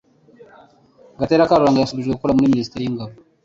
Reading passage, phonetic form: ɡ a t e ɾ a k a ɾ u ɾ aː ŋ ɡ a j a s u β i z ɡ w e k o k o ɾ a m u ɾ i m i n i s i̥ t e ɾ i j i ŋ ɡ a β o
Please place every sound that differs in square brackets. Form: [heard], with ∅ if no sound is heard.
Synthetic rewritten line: ɡ a t e ɾ a k a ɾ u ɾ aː ŋ ɡ a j a s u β i [ʒ] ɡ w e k [u] k o ɾ a m u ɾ i m i n i s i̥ t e ɾ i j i ŋ ɡ a β o